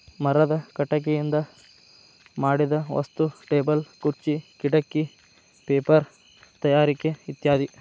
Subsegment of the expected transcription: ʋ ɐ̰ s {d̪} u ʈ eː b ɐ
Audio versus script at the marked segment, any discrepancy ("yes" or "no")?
yes